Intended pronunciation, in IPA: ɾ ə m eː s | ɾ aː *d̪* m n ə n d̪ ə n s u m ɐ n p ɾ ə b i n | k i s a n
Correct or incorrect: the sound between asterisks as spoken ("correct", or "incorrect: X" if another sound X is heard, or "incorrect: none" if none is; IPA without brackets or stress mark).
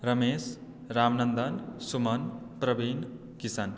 incorrect: none